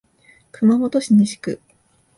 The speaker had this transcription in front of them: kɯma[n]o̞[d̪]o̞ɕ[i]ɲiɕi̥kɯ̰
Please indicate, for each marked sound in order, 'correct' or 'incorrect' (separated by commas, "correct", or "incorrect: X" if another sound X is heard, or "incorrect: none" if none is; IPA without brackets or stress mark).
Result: incorrect: m, incorrect: t̪, correct